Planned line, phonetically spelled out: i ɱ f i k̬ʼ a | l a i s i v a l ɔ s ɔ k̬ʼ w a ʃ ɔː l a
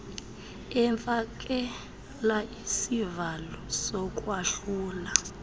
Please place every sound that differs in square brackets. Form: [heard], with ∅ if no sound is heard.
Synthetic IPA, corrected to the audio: [ɛ] ɱ f [a] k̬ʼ [ɛ] | l a i s i v a l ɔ s ɔ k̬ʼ w a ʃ [uː] l a